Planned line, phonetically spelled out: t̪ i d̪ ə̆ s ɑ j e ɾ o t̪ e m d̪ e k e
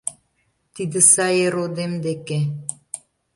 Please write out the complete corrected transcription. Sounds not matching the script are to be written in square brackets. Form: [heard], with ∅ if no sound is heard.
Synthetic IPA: t̪ i d̪ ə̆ s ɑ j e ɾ o [d̪] e m d̪ e k e